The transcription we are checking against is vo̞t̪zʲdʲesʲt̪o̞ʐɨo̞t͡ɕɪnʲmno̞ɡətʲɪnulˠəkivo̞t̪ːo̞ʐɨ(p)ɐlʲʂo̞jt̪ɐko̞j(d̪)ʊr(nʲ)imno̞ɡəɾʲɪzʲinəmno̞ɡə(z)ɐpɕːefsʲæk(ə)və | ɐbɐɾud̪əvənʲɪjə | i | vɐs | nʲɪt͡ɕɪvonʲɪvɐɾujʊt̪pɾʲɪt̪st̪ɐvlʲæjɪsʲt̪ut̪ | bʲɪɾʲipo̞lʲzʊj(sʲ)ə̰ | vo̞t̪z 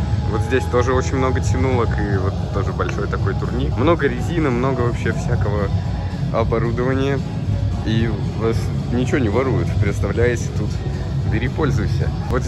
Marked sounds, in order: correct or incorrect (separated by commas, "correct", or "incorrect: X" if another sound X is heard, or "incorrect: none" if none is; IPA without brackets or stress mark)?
incorrect: b, incorrect: t̪, correct, incorrect: v, correct, correct